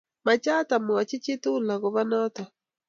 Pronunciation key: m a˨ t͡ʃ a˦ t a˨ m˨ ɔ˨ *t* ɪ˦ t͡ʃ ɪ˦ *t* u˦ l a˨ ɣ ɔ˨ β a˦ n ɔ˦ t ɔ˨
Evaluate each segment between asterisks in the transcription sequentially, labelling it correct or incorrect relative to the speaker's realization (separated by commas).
incorrect, correct